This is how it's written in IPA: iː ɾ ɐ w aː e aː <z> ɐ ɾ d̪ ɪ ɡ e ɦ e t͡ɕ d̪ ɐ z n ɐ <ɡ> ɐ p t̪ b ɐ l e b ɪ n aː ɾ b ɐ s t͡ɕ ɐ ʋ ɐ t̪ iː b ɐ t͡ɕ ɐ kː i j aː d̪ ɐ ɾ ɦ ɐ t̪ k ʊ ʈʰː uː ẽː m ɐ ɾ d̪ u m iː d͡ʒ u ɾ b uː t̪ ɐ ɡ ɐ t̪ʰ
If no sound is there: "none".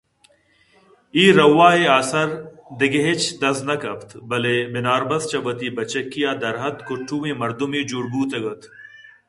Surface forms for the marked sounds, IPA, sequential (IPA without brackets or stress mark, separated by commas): s, k